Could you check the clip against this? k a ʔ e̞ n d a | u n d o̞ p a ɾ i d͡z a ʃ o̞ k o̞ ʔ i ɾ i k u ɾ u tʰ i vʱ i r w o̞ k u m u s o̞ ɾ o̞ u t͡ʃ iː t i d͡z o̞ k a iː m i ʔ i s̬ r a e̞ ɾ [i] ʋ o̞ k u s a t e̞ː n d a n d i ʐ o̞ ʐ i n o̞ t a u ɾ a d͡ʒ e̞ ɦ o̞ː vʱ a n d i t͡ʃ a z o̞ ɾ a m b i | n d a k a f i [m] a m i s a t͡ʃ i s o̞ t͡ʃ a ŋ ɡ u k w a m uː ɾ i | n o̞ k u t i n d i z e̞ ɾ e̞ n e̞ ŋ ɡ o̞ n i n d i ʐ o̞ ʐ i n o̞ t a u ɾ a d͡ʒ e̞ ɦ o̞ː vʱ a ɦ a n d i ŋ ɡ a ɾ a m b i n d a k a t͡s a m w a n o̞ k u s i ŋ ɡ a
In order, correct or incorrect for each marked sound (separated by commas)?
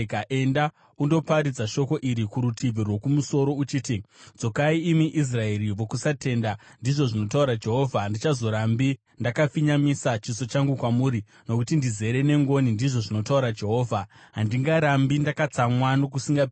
correct, incorrect